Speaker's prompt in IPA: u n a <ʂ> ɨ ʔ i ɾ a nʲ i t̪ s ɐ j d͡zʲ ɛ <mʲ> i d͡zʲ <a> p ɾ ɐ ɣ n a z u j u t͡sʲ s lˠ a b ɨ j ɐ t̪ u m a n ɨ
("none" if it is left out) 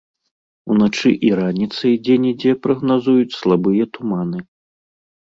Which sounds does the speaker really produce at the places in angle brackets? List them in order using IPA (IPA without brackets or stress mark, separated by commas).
t͡ʂ, nʲ, ɛ